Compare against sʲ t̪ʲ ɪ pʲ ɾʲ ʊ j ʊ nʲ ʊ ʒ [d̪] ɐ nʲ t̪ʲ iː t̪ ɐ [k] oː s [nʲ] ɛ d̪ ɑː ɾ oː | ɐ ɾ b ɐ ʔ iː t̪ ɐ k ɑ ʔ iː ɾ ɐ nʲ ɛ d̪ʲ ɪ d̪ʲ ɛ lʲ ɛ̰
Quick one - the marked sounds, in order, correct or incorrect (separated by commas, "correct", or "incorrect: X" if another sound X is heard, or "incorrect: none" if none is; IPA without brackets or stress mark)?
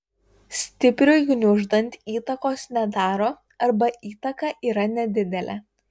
correct, correct, correct